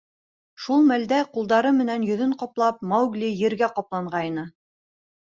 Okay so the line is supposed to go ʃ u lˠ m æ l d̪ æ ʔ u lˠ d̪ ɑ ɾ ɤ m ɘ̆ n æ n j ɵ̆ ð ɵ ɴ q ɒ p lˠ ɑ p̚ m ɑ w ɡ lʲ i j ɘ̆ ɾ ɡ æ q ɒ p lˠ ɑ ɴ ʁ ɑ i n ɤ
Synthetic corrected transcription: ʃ u lˠ m æ l d̪ æ q u lˠ d̪ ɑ ɾ ɤ m ɘ̆ n æ n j ɵ̆ ð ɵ ɴ q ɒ p lˠ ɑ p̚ m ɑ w ɡ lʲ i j ɘ̆ ɾ ɡ æ q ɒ p lˠ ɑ ɴ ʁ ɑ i n ɤ